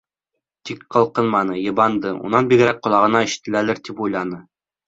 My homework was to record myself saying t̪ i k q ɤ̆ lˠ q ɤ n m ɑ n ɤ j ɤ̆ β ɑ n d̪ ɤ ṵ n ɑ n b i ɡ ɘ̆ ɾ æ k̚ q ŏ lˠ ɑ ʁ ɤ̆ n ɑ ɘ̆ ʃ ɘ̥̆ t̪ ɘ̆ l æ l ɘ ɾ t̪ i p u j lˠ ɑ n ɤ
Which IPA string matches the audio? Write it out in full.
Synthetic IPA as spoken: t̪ i k q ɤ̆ lˠ q ɤ n m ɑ n ɤ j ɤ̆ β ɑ n d̪ ɤ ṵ n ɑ n b i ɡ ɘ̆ ɾ æ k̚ q ŏ lˠ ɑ ʁ ɤ̆ n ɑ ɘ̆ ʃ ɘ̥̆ t̪ ɘ̆ l æ l ɘ ɾ t̪ i p u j lˠ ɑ n ɤ